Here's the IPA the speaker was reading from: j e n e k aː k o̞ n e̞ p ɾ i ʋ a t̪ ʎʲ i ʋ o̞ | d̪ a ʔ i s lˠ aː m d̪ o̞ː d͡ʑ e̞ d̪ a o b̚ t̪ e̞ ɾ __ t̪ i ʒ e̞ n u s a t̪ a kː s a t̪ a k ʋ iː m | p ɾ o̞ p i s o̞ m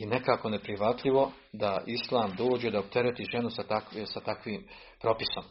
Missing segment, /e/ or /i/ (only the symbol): e